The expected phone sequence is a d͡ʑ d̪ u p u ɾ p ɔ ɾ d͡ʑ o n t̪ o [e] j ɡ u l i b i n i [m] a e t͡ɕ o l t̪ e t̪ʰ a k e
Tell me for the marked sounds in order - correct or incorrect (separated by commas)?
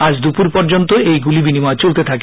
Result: correct, correct